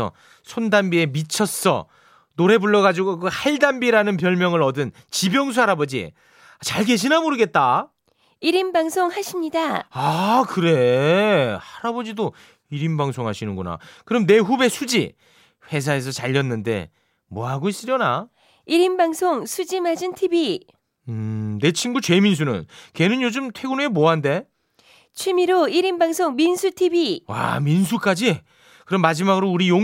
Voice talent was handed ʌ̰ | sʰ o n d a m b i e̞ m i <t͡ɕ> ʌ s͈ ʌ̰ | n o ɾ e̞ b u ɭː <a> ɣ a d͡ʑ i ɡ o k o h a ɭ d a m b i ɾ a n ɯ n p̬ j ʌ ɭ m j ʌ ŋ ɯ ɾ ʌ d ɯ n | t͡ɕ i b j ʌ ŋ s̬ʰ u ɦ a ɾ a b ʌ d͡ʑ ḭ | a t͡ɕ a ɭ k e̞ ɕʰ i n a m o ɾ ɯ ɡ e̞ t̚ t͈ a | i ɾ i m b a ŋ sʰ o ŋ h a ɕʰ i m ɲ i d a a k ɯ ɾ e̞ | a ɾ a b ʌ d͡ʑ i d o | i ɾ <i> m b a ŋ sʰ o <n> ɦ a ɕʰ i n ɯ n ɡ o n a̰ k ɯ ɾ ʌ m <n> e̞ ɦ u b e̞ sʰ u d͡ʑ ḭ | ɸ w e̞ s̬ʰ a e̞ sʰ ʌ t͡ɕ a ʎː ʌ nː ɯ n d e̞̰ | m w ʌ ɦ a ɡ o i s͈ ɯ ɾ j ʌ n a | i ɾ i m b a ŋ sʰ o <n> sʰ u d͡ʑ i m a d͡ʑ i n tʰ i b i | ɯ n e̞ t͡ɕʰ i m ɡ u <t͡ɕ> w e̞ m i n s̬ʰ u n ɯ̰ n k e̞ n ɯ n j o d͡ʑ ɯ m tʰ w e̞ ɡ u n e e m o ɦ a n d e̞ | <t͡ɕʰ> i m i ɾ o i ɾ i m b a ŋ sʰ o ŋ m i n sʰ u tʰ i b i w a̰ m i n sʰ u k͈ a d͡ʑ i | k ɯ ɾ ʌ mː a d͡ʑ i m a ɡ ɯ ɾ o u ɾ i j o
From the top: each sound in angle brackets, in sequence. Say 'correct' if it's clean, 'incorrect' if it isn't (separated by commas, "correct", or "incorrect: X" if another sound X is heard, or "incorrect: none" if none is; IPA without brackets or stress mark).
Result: incorrect: t͡ɕʰ, incorrect: ʌ, correct, incorrect: ŋ, correct, incorrect: ŋ, correct, correct